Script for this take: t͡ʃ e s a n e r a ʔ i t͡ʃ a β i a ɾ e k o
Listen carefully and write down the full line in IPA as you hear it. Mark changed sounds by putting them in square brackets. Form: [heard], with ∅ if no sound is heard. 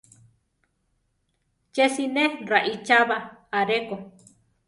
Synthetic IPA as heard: t͡ʃ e s [i] n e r a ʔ i t͡ʃ a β [a] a ɾ e k o